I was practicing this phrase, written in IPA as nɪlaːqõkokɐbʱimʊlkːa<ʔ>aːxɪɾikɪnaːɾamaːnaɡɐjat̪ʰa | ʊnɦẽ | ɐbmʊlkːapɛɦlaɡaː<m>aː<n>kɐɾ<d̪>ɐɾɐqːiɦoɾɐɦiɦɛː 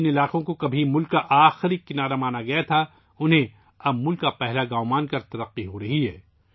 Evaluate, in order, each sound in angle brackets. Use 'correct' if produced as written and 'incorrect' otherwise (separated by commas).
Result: correct, correct, correct, incorrect